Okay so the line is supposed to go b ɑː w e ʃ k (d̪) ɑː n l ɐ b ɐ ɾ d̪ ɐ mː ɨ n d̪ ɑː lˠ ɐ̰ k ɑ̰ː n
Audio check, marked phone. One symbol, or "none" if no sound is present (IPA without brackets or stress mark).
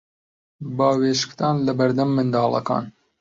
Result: t̪